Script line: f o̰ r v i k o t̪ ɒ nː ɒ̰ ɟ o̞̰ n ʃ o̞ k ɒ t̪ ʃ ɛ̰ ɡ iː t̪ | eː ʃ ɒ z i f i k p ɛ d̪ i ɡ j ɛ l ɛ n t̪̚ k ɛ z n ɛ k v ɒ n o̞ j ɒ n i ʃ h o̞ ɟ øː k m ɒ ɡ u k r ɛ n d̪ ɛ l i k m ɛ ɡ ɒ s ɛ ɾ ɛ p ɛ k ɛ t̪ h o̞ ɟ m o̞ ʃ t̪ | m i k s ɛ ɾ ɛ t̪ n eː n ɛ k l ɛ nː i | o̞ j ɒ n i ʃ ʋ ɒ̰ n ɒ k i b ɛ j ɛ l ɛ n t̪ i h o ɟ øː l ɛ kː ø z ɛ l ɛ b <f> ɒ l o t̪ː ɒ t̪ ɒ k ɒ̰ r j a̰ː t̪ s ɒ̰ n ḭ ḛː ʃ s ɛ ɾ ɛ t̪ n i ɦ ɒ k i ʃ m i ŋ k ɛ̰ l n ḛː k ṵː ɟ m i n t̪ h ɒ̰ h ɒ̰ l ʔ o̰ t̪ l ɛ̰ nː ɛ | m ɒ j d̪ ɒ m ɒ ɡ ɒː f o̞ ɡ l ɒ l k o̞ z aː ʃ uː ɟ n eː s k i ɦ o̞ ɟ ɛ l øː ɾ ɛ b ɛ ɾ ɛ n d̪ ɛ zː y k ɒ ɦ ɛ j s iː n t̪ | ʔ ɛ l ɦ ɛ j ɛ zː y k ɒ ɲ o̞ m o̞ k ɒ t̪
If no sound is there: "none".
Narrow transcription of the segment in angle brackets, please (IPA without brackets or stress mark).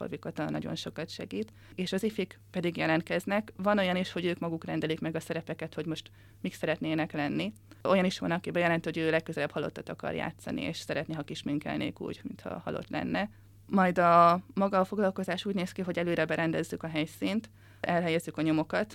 h